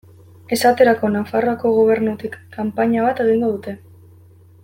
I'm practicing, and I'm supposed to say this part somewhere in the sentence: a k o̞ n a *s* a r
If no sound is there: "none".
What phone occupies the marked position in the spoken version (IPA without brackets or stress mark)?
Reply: f